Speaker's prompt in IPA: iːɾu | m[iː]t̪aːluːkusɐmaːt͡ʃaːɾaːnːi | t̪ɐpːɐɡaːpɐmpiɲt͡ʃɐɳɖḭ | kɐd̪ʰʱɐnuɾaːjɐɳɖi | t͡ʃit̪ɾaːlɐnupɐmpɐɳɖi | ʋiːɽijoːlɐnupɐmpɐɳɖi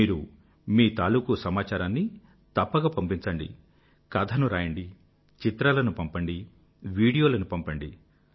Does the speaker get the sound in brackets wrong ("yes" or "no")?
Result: no